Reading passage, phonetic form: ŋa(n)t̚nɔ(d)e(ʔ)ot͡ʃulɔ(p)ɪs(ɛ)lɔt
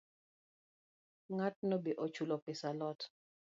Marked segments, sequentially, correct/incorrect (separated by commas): incorrect, incorrect, correct, correct, incorrect